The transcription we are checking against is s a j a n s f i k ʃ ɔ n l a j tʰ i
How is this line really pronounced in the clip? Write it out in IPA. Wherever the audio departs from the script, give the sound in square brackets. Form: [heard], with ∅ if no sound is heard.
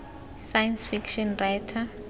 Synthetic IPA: s a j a n s f i k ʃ ɔ n [r] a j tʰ [a]